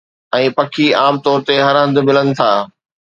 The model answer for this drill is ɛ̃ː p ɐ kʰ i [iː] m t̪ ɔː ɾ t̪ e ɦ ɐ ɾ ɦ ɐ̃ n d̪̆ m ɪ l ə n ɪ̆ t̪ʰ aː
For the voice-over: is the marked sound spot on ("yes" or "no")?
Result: no